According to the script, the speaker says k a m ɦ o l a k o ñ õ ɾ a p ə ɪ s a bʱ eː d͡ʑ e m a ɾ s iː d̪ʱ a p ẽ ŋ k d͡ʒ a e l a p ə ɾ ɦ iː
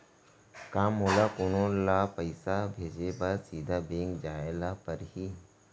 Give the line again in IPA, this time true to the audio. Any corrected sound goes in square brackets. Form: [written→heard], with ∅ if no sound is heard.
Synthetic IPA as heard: k a m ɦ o l a k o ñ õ [ɾ→l] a p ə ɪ s a bʱ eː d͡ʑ e [m→b] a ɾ s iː d̪ʱ a [p→b] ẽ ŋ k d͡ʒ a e l a p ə ɾ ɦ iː

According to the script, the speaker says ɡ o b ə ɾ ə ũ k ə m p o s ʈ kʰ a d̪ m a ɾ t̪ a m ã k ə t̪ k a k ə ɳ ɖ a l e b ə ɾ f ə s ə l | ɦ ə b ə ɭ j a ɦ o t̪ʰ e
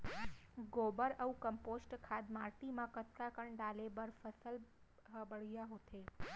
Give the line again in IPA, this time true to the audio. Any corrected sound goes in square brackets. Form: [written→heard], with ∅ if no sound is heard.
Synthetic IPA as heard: ɡ o b ə ɾ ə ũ k ə m p o s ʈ kʰ a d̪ m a ɾ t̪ [a→i] m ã k ə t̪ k a k ə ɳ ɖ a l e b ə ɾ f ə s ə l | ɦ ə b ə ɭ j a ɦ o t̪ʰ e

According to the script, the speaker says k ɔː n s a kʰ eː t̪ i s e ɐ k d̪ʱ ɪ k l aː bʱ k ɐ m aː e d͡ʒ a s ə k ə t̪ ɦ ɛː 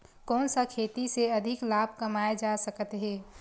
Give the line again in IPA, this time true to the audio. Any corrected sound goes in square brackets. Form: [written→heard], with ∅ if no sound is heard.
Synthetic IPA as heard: k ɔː n s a kʰ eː t̪ i s e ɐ [k→∅] d̪ʱ ɪ k l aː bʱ k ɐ m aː e d͡ʒ a s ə k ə t̪ ɦ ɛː

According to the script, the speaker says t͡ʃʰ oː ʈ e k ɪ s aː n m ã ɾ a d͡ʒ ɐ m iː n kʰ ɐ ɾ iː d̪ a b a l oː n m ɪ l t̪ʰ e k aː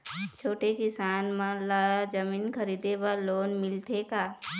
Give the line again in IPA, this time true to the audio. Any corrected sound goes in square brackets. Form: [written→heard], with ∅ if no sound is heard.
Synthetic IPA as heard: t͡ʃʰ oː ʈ e k ɪ s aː n m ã [ɾ→l] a d͡ʒ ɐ m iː n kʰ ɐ ɾ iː d̪ [a→e] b a l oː n m ɪ l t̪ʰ e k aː

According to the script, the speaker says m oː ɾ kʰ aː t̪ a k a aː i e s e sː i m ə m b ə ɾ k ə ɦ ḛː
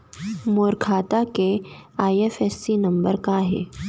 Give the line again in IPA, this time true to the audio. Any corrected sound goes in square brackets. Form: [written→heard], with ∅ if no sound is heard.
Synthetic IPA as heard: m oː ɾ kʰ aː t̪ a k [a→e] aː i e [s→f] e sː i [m→n] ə m b ə ɾ k [ə→a] ɦ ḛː

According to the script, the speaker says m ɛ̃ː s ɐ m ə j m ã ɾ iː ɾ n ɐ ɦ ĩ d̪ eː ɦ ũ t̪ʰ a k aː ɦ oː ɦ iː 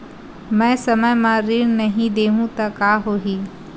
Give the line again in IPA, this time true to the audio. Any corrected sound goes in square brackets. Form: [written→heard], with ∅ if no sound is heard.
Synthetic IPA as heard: m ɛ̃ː s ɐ m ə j m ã ɾ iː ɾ n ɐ ɦ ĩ d̪ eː ɦ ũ [t̪ʰ→t̪] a k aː ɦ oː ɦ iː

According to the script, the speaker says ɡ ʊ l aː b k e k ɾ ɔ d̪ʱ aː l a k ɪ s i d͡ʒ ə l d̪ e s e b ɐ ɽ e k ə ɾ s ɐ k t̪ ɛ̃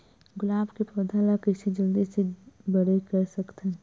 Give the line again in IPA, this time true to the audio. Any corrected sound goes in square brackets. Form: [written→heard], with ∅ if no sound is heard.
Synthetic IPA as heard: ɡ ʊ l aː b k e [k→p] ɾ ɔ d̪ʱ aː l a k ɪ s i d͡ʒ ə l d̪ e s e b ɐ ɽ e k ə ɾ s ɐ k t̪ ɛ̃

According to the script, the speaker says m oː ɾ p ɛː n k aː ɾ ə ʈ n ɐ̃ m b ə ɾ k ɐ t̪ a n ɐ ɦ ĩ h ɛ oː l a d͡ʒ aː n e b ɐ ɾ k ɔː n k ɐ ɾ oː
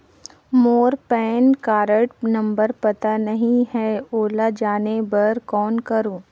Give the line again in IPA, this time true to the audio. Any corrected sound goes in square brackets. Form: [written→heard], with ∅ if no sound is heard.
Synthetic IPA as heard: m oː ɾ p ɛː n k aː ɾ ə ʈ n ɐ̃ m b ə ɾ [k→p] ɐ t̪ a n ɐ ɦ ĩ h ɛ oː l a d͡ʒ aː n e b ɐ ɾ k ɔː n k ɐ ɾ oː

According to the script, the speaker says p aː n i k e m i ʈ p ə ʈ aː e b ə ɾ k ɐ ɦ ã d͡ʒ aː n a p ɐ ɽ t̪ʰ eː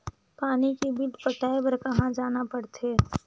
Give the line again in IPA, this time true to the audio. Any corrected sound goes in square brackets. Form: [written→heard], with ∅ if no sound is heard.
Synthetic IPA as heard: p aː n i k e [m→b] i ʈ p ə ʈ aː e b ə ɾ k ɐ ɦ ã d͡ʒ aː n a p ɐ ɽ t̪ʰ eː

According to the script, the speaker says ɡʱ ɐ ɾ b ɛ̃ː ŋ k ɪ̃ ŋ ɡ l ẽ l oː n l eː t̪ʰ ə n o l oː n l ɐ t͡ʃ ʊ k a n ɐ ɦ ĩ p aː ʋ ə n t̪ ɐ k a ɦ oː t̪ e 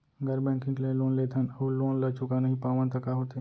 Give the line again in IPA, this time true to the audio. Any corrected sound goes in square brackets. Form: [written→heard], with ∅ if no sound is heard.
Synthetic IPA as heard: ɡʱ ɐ ɾ b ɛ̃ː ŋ k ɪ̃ ŋ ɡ l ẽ l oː n l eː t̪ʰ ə n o l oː n l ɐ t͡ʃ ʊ k a n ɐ ɦ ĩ p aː ʋ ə n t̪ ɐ k a ɦ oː t̪ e

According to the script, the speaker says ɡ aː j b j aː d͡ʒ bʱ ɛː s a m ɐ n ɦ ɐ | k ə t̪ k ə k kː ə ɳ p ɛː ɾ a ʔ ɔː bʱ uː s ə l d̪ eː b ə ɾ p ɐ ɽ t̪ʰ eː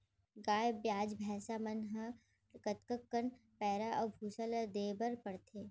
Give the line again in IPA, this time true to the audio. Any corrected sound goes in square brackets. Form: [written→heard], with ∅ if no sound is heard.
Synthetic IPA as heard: ɡ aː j b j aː d͡ʒ bʱ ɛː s a m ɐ n ɦ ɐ | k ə t̪ k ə k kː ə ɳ p ɛː ɾ a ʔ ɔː bʱ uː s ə l d̪ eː b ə ɾ p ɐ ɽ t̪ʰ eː

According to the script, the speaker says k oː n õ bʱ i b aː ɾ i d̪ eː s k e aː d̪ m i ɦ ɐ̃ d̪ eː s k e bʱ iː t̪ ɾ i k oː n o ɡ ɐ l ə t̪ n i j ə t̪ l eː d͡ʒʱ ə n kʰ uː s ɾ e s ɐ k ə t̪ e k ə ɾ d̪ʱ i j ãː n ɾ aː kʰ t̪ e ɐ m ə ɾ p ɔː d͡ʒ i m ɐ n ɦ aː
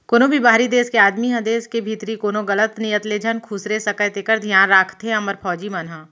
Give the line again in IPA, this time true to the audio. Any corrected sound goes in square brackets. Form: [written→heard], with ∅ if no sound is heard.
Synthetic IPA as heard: k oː n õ bʱ i b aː ɾ i d̪ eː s k e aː d̪ m i ɦ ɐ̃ d̪ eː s k e bʱ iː t̪ ɾ i k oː n o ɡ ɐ l ə t̪ n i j ə t̪ l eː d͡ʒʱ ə n kʰ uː s ɾ e s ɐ k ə t̪ e k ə ɾ d̪ʱ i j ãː n ɾ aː kʰ t̪ e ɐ m ə ɾ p ɔː d͡ʒ i m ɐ n ɦ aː

